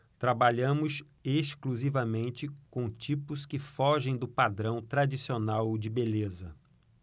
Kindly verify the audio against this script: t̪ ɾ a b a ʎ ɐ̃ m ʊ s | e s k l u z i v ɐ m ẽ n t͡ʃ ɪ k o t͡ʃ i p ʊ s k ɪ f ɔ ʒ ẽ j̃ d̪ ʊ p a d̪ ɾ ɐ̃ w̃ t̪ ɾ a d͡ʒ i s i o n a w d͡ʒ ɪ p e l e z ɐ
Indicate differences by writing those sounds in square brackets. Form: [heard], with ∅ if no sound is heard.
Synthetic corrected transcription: t̪ ɾ a b a ʎ ɐ̃ m ʊ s | e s k l u z i v ɐ m ẽ n t͡ʃ ɪ k [õ] t͡ʃ i p ʊ s k ɪ f ɔ ʒ ẽ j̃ d̪ ʊ p a d̪ ɾ ɐ̃ w̃ t̪ ɾ a d͡ʒ i s i o n a w d͡ʒ ɪ [b] e l e z ɐ